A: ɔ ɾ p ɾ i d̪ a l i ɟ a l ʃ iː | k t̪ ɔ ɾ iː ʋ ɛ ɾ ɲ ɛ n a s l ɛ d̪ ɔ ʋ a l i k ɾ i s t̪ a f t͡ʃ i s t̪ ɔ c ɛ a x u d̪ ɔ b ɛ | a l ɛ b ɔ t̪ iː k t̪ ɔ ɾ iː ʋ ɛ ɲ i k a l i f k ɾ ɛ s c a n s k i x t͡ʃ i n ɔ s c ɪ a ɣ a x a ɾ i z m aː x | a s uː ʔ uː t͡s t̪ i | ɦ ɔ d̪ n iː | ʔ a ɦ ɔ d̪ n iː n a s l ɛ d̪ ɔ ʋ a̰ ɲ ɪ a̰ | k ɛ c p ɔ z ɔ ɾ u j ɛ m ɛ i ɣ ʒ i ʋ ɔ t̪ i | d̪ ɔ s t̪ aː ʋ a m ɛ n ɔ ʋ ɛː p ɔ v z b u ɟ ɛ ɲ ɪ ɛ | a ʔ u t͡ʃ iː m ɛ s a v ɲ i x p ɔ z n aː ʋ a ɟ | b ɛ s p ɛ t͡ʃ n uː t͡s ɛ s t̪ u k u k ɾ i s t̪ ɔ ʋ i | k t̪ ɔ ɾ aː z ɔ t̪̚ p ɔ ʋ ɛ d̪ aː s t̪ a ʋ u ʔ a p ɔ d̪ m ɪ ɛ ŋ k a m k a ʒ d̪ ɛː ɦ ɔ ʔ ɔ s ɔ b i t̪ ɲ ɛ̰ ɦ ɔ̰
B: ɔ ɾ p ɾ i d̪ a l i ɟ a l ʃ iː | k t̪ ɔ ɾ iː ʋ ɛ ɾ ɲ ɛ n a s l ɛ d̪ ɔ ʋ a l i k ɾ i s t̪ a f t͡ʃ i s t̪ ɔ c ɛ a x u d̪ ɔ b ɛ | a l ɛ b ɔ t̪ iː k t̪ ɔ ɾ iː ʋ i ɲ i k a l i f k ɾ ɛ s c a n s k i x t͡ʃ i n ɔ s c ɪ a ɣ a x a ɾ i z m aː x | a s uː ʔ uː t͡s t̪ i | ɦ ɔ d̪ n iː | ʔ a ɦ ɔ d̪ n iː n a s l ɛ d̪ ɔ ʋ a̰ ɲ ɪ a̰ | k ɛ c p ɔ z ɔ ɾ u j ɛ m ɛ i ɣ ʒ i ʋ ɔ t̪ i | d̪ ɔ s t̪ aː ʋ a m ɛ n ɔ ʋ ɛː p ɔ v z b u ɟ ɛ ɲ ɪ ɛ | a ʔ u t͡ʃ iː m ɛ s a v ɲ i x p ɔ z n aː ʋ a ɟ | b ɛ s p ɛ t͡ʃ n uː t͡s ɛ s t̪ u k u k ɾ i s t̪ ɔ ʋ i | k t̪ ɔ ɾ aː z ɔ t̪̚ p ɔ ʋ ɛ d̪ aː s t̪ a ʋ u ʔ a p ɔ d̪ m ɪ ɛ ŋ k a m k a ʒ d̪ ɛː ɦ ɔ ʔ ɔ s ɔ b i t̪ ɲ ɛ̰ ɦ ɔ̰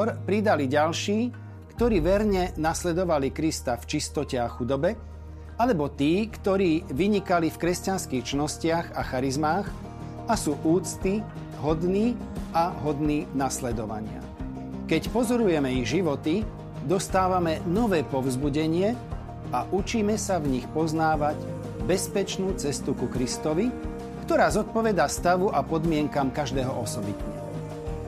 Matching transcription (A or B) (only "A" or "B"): B